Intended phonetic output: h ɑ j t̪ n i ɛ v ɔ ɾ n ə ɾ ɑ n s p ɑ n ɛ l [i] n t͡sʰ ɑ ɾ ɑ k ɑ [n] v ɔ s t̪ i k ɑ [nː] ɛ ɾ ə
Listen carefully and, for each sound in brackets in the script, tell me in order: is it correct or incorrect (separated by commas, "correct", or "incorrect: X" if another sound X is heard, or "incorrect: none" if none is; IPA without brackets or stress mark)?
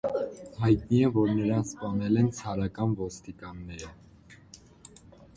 incorrect: ɛ, correct, correct